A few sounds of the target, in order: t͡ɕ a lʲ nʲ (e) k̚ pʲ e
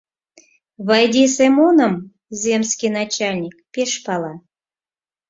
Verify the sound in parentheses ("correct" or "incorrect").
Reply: incorrect